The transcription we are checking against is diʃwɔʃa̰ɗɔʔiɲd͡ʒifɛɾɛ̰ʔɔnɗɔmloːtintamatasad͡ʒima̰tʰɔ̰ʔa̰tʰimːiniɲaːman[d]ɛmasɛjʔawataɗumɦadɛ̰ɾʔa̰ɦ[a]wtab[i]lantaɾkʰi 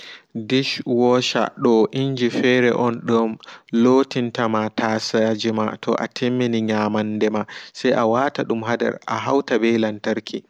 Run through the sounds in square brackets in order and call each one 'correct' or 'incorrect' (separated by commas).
correct, correct, incorrect